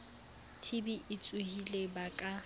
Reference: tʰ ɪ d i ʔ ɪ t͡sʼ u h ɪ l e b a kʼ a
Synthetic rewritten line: tʰ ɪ b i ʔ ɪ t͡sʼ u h i l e b a kʼ a